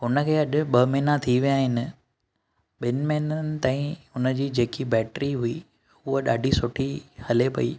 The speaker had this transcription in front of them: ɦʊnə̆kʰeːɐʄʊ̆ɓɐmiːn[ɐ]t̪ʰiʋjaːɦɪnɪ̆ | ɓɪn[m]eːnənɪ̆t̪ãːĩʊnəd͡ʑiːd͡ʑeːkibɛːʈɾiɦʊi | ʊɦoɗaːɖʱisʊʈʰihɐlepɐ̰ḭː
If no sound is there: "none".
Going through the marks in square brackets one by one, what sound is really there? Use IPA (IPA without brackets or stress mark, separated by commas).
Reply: a, m